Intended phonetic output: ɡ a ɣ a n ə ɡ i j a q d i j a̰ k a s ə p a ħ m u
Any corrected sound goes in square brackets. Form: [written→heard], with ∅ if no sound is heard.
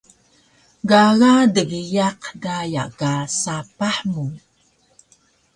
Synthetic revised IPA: ɡ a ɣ a [n→d] ə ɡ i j a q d [i→a] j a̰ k a s [ə→a] p a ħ m u